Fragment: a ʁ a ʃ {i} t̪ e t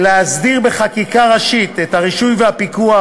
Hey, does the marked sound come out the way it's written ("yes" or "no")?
yes